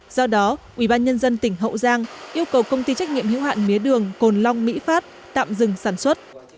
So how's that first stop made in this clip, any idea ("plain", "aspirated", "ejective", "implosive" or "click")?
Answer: implosive